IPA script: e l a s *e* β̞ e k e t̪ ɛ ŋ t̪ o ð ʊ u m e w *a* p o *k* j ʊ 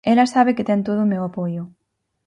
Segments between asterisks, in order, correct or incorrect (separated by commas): incorrect, correct, incorrect